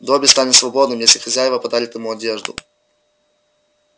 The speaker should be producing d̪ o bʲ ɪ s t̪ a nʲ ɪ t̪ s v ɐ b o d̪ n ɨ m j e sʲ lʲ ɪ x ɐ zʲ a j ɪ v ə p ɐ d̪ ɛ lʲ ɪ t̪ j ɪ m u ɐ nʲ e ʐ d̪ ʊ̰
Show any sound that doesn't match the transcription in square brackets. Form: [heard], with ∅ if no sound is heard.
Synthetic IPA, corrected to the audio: d̪ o bʲ ɪ s t̪ a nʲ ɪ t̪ s v ɐ b o d̪ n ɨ m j e sʲ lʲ ɪ x ɐ zʲ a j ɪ v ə p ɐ d̪ [a] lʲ ɪ t̪ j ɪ m u ɐ [dʲ] e ʐ d̪ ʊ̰